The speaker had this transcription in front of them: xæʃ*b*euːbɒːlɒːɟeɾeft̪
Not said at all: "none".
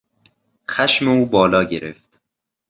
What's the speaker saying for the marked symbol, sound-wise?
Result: m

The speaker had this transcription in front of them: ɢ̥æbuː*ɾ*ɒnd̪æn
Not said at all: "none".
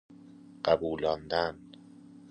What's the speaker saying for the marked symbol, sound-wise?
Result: l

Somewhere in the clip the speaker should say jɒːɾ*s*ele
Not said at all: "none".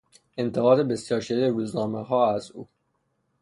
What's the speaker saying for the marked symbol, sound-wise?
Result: ʃ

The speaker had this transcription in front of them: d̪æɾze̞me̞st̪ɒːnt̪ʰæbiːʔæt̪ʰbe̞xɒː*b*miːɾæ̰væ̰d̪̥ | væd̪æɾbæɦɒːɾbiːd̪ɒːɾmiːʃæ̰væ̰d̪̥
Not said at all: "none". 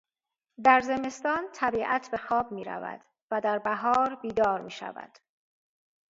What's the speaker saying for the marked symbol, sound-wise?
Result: b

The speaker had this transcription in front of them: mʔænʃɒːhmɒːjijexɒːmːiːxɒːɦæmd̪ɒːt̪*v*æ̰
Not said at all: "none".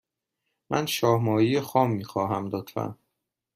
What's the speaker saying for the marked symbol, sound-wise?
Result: f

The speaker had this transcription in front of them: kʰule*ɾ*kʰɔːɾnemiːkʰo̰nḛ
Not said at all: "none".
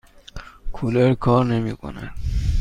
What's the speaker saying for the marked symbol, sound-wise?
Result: ɾ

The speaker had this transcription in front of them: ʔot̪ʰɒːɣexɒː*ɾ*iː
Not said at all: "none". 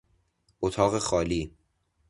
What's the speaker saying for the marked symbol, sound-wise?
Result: l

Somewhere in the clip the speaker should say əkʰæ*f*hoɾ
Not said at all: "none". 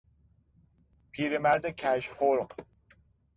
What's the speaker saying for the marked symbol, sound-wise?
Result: ʃ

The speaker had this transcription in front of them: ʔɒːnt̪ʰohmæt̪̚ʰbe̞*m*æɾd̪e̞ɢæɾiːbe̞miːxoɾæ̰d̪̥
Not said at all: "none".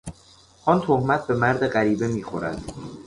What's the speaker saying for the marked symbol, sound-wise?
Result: m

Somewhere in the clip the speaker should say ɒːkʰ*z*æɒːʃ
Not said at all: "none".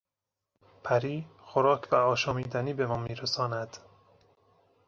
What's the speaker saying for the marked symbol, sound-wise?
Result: v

